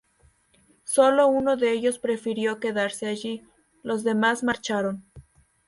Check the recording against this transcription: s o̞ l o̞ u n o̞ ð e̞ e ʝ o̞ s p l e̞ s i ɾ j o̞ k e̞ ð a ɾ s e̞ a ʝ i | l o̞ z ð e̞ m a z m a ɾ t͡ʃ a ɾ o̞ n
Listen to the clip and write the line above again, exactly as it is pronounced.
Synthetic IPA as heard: s o̞ l o̞ u n o̞ ð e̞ e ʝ o̞ s p ɾ e̞ f i ɾ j o̞ k e̞ ð a ɾ s e̞ a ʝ i | l o̞ z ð e̞ m a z m a ɾ t͡ʃ a ɾ o̞ n

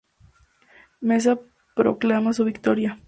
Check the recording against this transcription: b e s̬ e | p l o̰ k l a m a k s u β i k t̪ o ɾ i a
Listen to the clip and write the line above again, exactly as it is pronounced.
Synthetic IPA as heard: m e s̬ a | p ɾ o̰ k l a m a s u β i k t̪ o ɾ j a

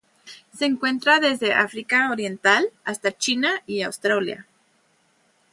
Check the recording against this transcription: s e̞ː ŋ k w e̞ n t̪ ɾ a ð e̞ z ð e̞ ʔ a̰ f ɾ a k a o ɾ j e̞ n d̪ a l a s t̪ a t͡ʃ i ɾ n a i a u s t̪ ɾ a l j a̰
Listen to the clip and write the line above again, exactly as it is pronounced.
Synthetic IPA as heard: s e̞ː ŋ k w e̞ n t̪ ɾ a ð e̞ z ð e̞ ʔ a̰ f ɾ i k a o ɾ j e̞ n t̪ a l a s t̪ a t͡ʃ i n a i a w s t̪ ɾ a l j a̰

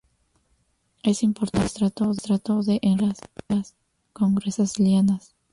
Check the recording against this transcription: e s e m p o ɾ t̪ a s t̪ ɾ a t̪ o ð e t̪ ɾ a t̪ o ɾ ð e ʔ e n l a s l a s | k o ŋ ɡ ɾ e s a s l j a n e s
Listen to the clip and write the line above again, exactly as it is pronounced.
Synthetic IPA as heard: e s i m p o ɾ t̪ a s t̪ ɾ a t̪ o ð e t̪ ɾ a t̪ o ð e ʔ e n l a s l a s | k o ŋ ɡ ɾ e s a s l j a n a s

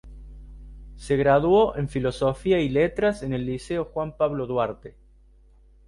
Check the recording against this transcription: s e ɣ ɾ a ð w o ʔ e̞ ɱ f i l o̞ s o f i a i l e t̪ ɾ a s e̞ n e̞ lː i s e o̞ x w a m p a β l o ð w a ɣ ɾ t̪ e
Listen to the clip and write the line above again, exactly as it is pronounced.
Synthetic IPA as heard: s e ɣ ɾ a ð w o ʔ e̞ ɱ f i l o̞ s o f i a i l e t̪ ɾ a s e̞ n e̞ lː i s e o̞ x w a m p a β l o ð w a ɾ t̪ e

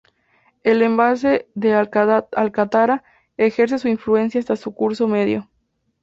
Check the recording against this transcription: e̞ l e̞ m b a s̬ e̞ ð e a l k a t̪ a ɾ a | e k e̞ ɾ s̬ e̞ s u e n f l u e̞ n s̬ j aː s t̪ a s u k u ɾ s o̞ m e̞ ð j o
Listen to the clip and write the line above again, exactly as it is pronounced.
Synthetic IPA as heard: e̞ l e̞ m b a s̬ e̞ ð e a l k a t̪ a ɾ a | e x e̞ ɾ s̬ e̞ s u i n f l u e̞ n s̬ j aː s t̪ a s u k u ɾ s o̞ m e̞ ð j o

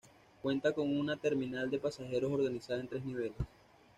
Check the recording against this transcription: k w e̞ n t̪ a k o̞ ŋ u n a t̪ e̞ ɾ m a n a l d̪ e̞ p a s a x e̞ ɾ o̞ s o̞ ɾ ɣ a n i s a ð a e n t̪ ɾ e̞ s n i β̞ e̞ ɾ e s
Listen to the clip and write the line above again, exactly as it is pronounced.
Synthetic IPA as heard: k w e̞ n t̪ a k o̞ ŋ u n a t̪ e̞ ɾ m i n a l d̪ e̞ p a s a x e̞ ɾ o̞ s o̞ ɾ ɣ a n i s a ð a e n t̪ ɾ e̞ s n i β̞ e̞ l e s

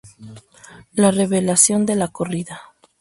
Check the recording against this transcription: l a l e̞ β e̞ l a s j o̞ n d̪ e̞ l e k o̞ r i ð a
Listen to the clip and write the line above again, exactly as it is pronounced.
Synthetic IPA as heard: l a r e̞ β e̞ l a s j o̞ n d̪ e̞ l a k o̞ r i ð a

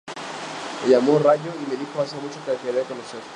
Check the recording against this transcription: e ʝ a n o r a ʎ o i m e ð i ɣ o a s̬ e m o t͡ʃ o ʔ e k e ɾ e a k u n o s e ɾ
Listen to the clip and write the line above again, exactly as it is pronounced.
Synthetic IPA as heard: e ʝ a m o r a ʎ o i m e ð i x o a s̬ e m u t͡ʃ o k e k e ɾ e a k o n o s e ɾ

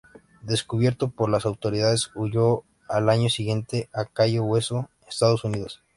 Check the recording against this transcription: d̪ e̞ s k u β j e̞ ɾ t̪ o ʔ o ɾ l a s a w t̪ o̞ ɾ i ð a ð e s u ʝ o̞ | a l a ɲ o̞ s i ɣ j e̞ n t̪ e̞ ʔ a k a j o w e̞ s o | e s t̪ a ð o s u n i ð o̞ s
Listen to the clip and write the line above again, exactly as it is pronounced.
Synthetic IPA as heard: d̪ e̞ s k u β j e̞ ɾ t̪ o p o ɾ l a s a w t̪ o̞ ɾ i ð a ð e s u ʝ o̞ | a l a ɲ o̞ s i ɣ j e̞ n t̪ e̞ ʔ a k a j o w e̞ s o | e s t̪ a ð o s u n i ð o̞ s

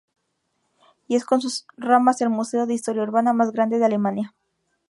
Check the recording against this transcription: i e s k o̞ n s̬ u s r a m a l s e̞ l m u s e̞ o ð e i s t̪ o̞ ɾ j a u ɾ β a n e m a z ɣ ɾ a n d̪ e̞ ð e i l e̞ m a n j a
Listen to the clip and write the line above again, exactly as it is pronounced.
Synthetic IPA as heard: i e s k o̞ n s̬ u s r a m a s e̞ l m u s e̞ o ð e i s t̪ o̞ ɾ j a u ɾ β a n a m a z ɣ ɾ a n d̪ e̞ ð e a l e̞ m a n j a

